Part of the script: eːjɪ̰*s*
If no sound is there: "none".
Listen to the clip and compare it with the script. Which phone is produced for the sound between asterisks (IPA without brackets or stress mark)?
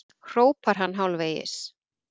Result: s